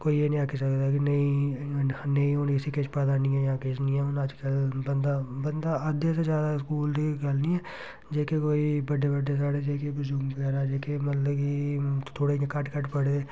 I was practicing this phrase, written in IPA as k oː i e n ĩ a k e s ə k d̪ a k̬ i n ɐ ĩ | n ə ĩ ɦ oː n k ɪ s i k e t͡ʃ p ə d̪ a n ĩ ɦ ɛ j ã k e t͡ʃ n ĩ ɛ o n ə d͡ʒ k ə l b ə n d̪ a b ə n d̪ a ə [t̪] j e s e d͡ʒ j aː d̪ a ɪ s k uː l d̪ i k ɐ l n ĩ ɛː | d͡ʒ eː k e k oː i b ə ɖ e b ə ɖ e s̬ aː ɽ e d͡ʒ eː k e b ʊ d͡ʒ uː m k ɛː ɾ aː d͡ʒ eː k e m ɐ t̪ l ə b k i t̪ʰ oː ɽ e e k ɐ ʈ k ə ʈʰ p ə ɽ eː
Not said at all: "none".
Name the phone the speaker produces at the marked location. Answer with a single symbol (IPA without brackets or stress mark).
d̪